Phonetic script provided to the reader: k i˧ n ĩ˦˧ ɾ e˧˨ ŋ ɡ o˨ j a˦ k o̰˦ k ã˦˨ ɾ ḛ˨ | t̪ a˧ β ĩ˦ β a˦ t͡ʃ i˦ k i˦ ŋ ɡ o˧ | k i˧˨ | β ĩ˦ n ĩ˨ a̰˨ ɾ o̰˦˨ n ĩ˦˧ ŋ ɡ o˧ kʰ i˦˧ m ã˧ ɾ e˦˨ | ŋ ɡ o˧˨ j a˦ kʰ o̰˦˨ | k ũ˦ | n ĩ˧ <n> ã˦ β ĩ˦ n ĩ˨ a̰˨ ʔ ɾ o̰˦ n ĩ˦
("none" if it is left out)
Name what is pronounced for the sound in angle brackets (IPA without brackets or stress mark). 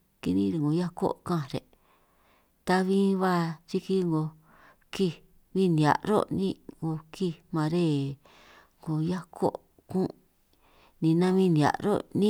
n